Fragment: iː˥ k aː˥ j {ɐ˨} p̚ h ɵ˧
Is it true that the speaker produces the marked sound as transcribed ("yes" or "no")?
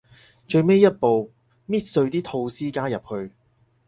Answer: yes